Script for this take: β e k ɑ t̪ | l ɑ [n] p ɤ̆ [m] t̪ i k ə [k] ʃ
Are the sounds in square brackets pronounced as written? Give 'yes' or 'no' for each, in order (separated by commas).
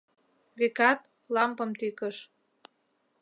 no, yes, no